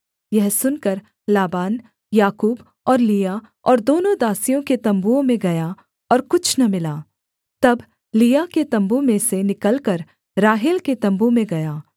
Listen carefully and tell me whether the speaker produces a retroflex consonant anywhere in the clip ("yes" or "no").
no